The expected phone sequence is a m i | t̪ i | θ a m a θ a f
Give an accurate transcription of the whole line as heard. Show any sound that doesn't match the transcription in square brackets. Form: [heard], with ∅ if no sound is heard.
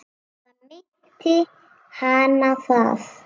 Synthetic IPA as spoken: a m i | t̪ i | [h] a [n] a [f] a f